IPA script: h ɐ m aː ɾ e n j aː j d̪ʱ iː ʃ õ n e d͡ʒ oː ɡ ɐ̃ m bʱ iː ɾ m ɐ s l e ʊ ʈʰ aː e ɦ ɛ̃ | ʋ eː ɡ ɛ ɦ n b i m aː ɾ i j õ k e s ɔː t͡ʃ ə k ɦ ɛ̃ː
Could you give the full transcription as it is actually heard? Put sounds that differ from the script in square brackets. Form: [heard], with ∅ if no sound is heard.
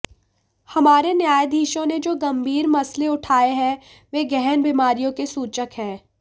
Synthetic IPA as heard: h ɐ m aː ɾ e n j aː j d̪ʱ iː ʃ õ n e d͡ʒ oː ɡ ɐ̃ m bʱ iː ɾ m ɐ s l e ʊ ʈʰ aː e ɦ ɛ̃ | ʋ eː ɡ ɛ ɦ n b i m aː ɾ i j õ k e s [uː] t͡ʃ ə k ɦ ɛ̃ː